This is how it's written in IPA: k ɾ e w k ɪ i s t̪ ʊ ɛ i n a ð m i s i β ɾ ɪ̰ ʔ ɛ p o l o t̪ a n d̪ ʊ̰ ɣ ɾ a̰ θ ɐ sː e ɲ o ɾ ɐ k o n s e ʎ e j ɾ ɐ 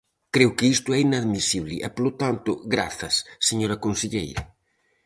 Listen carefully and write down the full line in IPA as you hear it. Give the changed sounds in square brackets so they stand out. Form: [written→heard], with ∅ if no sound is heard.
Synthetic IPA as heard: k ɾ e w k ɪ i s t̪ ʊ ɛ i n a ð m i s i β [ɾ→l] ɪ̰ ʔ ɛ p o l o t̪ a n [d̪→t̪] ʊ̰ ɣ ɾ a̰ θ ɐ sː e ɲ o ɾ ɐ k o n s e ʎ e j ɾ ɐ